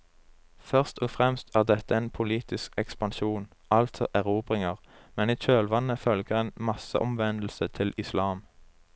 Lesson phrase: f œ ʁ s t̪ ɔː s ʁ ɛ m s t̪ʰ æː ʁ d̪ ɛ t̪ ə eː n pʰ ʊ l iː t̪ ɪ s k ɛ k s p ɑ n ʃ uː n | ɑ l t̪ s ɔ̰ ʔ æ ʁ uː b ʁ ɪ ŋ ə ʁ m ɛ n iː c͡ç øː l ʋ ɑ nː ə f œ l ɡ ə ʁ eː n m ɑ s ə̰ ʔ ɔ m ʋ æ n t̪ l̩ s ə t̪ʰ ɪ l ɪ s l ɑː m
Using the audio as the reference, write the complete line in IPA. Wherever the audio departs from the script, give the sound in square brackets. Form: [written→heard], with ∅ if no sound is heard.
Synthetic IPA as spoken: f œ ʁ s t̪ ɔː [s→f] ʁ ɛ m s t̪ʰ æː ʁ d̪ ɛ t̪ ə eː n pʰ ʊ l iː t̪ ɪ s k ɛ k s p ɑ n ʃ uː n | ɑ l t̪ s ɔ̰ ʔ æ ʁ uː b ʁ ɪ ŋ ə ʁ m ɛ n iː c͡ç øː l ʋ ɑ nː ə f œ l ɡ ə ʁ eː n m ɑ s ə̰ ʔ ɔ m ʋ [æ→ɛ] n [t̪→d̪] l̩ s ə t̪ʰ ɪ l ɪ s l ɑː m

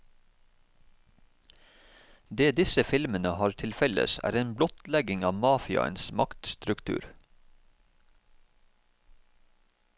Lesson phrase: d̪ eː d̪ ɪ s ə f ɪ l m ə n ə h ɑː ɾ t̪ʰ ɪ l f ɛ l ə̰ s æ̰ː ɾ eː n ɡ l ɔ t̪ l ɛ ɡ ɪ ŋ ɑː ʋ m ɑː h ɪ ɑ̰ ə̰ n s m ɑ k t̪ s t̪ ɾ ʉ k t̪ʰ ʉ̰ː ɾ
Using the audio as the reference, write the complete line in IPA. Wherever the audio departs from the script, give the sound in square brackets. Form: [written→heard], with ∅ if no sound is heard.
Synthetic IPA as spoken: d̪ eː d̪ ɪ s ə f ɪ l m ə n ə h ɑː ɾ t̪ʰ ɪ l f ɛ l ə̰ s æ̰ː ɾ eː n [ɡ→b] l ɔ t̪ l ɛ ɡ ɪ ŋ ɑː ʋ m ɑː [h→f] ɪ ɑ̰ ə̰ n s m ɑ k t̪ s t̪ ɾ ʉ k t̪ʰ ʉ̰ː ɾ

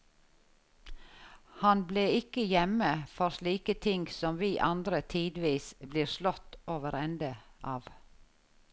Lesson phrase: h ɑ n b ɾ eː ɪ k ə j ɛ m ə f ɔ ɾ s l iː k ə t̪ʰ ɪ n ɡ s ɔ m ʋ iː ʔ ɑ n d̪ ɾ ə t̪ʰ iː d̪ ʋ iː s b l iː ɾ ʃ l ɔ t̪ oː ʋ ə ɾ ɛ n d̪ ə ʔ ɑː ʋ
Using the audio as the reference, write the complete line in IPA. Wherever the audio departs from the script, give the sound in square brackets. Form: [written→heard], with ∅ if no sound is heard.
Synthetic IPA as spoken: h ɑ n b [ɾ→l] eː ɪ k ə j ɛ m ə f ɔ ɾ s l iː k ə t̪ʰ ɪ [n→ŋ] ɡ s ɔ m ʋ iː ʔ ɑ n d̪ ɾ ə t̪ʰ iː d̪ ʋ iː s b l iː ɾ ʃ l ɔ t̪ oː ʋ ə ɾ ɛ n d̪ ə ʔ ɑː ʋ

